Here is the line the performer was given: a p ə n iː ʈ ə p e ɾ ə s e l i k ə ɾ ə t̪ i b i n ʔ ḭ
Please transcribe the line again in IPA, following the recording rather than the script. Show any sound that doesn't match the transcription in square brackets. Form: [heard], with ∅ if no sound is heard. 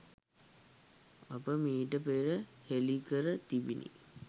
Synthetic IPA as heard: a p ə [m] iː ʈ ə p e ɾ ə [h] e l i k ə ɾ ə t̪ i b i n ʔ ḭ